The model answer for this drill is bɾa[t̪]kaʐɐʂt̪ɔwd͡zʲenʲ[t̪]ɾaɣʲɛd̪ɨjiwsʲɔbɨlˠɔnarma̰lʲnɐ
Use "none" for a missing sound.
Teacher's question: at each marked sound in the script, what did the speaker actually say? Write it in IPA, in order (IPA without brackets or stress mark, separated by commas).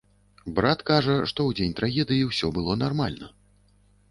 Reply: t̪, t̪